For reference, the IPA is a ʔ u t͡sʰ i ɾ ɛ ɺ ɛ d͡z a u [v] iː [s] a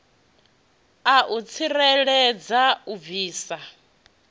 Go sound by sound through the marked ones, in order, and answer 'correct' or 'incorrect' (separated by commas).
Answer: correct, correct